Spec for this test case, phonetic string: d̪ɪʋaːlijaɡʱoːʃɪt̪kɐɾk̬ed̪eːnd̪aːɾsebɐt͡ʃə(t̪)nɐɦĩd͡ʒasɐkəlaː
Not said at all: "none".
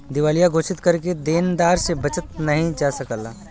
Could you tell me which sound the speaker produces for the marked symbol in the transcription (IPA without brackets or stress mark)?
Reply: t̪